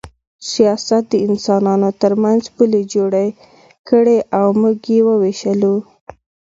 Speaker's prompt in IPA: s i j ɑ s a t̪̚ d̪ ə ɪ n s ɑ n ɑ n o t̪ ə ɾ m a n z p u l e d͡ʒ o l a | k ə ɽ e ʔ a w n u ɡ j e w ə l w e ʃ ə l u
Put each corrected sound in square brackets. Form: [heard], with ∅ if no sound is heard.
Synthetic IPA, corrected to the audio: s i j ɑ s a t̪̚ d̪ ə ɪ n s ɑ n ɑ n o t̪ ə ɾ m a n z p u l e d͡ʒ o [ɽ] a | k ə ɽ e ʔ a w [m] u ɡ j e w ə [∅] w e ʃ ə l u